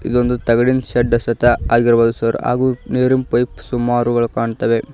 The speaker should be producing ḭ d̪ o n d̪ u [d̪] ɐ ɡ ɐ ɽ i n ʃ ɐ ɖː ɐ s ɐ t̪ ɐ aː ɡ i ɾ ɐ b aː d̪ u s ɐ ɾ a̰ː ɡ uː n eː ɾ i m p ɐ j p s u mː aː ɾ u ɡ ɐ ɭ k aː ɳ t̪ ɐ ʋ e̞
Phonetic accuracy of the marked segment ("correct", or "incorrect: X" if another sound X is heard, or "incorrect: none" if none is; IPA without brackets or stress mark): incorrect: t̪